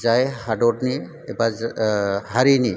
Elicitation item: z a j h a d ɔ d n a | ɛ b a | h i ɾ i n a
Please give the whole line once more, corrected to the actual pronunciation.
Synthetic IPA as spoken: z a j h a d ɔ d n i | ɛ b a | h a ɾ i n i